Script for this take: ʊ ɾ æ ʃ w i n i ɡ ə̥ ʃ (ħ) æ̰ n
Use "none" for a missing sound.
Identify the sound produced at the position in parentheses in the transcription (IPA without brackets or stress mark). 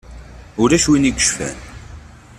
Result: f